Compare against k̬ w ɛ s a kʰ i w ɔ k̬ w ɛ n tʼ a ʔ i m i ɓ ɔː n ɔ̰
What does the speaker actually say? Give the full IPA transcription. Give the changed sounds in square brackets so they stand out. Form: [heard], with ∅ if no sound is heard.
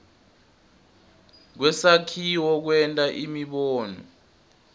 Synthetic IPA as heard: k̬ w ɛ s a kʰ i w ɔ k̬ w ɛ n tʼ a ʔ i m i ɓ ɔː n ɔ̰